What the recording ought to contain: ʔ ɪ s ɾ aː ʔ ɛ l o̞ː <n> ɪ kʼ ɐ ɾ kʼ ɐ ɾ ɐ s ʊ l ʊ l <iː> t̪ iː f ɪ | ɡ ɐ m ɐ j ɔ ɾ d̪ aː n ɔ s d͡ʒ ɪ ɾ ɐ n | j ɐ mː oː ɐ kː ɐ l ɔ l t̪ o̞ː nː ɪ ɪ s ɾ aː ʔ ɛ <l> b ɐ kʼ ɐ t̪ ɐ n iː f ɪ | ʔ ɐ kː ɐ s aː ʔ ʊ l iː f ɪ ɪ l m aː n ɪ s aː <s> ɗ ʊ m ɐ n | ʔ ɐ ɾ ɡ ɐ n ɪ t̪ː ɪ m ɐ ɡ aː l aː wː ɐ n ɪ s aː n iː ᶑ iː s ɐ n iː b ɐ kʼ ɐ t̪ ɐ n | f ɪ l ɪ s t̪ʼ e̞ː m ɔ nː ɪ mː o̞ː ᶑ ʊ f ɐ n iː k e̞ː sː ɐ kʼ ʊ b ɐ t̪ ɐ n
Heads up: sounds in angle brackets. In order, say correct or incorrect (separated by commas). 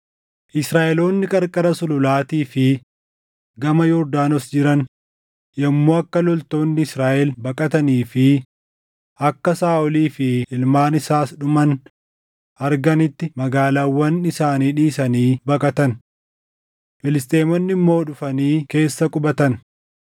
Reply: incorrect, incorrect, correct, correct